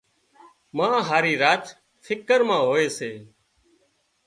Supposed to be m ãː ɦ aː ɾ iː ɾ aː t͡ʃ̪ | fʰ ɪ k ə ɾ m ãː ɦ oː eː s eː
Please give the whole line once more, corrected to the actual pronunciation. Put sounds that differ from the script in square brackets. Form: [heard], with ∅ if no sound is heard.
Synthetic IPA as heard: m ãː ɦ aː ɾ iː ɾ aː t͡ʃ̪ | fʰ ɪ k ə ɾ m ãː ɦ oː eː s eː

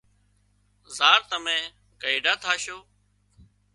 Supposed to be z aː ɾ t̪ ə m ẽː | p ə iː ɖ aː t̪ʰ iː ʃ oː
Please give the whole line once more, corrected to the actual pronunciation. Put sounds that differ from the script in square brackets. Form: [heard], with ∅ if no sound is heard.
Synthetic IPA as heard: z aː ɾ t̪ ə m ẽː | [k] ə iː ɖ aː t̪ʰ [aː] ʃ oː

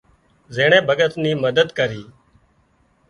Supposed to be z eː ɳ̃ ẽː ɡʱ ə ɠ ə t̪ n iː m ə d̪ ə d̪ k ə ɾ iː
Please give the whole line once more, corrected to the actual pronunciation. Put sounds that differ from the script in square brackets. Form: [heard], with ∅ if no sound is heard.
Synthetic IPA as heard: z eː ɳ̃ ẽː [bʱ] ə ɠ ə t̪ n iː m ə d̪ ə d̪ k ə ɾ iː

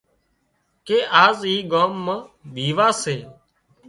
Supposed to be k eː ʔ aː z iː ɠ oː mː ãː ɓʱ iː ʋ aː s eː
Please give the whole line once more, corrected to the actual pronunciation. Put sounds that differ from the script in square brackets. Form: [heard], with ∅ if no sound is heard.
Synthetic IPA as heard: k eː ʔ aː z iː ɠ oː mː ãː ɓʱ iː ʋ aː s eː

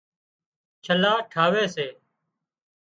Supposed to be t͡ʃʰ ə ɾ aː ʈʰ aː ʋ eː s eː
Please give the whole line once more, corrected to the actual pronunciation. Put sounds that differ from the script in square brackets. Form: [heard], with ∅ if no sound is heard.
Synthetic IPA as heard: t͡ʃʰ ə [l] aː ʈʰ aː ʋ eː s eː

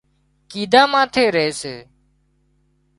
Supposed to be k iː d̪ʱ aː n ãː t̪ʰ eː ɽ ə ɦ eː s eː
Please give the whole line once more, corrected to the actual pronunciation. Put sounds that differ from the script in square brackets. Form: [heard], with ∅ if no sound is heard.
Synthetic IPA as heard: k iː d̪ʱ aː [m] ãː t̪ʰ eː [ɾ] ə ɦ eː s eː

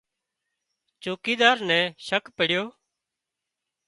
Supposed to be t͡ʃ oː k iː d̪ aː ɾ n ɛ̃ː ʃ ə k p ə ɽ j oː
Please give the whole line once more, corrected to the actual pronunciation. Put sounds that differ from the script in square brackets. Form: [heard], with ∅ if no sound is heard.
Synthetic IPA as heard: t͡ʃ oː k iː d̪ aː ɾ n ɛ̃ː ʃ ə k p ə ɽ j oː

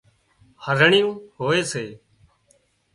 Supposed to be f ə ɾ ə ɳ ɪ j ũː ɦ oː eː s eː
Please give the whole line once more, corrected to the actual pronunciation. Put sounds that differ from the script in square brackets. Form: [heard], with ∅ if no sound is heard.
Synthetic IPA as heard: [h] ə ɾ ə ɳ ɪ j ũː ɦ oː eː s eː

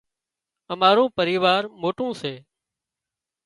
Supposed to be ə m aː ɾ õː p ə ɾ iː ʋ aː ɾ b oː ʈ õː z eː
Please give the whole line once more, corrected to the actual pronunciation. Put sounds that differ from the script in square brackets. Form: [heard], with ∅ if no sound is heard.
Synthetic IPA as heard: ə m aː ɾ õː p ə ɾ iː ʋ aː ɾ [m] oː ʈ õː [s] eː

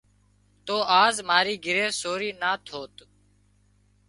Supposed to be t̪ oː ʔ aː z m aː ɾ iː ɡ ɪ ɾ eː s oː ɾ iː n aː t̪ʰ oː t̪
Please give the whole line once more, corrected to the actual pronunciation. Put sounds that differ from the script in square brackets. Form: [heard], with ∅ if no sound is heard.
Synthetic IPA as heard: t̪ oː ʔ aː z m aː ɾ iː ɡ ɪ ɾ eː s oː ɾ iː n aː t̪ʰ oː t̪

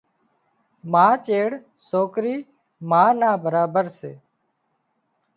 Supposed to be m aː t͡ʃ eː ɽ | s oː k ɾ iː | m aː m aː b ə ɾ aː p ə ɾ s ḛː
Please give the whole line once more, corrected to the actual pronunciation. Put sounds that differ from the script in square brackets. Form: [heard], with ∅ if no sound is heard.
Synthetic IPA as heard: m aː t͡ʃ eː ɽ | s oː k ɾ iː | m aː [n] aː b ə ɾ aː [b] ə ɾ s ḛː

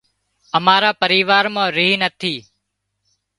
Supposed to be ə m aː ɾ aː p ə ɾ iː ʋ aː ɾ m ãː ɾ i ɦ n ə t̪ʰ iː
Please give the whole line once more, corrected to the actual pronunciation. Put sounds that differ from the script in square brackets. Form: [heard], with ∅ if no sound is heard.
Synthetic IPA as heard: ə m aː ɾ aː p ə ɾ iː ʋ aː ɾ m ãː ɾ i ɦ n ə t̪ʰ iː

